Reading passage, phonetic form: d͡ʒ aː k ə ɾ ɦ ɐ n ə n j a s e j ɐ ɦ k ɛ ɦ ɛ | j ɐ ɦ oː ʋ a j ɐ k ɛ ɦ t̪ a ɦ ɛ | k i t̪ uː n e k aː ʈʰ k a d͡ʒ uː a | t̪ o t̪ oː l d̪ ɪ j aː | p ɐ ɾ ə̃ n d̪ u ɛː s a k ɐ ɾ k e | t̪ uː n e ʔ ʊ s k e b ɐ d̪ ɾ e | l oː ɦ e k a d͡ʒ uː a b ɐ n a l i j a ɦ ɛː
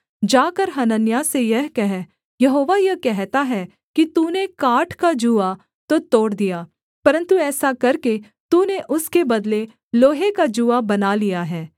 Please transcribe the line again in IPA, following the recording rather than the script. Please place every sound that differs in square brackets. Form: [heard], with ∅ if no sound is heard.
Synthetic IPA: d͡ʒ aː k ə ɾ ɦ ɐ n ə n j a s e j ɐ ɦ k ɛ ɦ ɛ | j ɐ ɦ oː ʋ a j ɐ k ɛ ɦ t̪ a ɦ ɛ | k i t̪ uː n e k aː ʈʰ k a d͡ʒ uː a | t̪ o t̪ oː [ɽ] d̪ [i] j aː | p ɐ ɾ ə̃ n [t̪] u ɛː s a k ɐ ɾ k e | t̪ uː n e ʔ ʊ s k e b ɐ d̪ [l] e | l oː ɦ e k a d͡ʒ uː a b ɐ n a l i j a ɦ ɛː